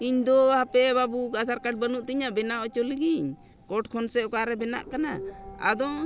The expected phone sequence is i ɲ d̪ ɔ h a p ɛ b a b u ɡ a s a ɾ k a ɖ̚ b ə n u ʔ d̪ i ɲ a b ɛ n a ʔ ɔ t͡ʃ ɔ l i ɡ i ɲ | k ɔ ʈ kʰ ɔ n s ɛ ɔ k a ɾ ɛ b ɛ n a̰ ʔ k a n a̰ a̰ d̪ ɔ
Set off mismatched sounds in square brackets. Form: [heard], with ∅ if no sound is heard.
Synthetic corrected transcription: i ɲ d̪ ɔ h a p ɛ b a b u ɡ a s a ɾ k a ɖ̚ b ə n u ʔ [t̪] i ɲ a b ɛ n a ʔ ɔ t͡ʃ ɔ l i ɡ i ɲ | k ɔ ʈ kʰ ɔ n s ɛ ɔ k a ɾ ɛ b ɛ n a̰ ʔ k a n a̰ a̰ d̪ ɔ